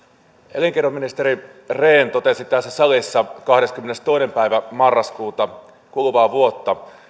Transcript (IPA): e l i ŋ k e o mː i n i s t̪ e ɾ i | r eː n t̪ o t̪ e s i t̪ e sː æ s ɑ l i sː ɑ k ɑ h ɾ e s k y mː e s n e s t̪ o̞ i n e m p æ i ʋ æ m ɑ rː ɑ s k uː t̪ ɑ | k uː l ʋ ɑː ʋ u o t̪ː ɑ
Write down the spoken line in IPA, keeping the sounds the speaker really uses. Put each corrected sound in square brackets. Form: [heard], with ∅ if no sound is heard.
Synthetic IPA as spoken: e l i ŋ k e o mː i n i s t̪ e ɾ i | r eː n t̪ o t̪ e s i t̪ [æ] sː æ s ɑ l i sː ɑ k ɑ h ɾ e s k y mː e [∅] n e s t̪ o̞ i n e m p æ i ʋ æ m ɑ rː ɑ s k uː t̪ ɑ | k [u] l ʋ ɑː ʋ u o t̪ː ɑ